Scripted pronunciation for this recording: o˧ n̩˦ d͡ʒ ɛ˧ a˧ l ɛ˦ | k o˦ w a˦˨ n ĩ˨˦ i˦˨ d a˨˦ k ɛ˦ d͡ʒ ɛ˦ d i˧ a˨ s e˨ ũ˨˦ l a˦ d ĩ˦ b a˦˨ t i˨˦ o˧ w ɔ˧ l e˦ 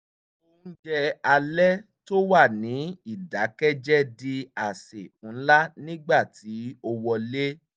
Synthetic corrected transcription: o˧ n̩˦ d͡ʒ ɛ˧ a˧ l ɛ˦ | t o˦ w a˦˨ n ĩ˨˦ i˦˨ d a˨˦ k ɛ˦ d͡ʒ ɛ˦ d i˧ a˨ s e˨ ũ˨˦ l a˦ n ĩ˦ ɡ͡b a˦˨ t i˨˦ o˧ w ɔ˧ l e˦